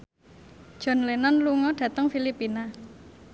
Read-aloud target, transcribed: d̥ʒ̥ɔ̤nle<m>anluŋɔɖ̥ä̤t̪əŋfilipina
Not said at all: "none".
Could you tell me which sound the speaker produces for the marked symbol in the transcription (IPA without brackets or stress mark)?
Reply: n